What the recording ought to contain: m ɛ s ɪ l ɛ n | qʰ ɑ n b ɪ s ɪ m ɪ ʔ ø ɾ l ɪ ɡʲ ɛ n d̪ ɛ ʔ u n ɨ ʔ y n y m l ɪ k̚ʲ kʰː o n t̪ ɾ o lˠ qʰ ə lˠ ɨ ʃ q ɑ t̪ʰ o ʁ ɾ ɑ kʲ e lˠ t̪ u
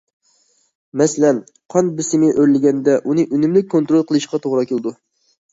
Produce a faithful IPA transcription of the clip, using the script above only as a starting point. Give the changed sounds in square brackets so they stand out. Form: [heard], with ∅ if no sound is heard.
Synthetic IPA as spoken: m ɛ s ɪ l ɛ n | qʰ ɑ n b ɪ s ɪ m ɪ ʔ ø ɾ l ɪ ɡʲ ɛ n d̪ ɛ ʔ u n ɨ ʔ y n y m l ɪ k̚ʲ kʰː o n t̪ ɾ o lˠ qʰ ə lˠ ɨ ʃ q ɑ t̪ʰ o ʁ ɾ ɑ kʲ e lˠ [d̪] u